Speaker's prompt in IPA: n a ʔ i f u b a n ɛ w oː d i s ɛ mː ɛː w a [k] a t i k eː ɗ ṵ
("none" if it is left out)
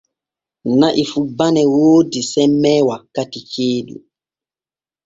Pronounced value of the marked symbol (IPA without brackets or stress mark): k